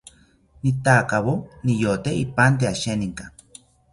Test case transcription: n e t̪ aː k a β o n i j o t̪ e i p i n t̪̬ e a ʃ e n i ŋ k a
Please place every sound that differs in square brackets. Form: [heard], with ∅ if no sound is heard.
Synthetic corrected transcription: n [i] t̪ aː k a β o n i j o t̪ e i p [a] n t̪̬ e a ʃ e n i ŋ k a